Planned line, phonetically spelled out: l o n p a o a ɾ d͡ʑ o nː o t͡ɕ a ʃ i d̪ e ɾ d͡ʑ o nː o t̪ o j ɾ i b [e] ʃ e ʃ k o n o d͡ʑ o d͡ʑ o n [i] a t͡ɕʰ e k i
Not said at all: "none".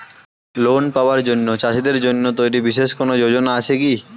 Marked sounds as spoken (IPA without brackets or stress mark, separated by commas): i, a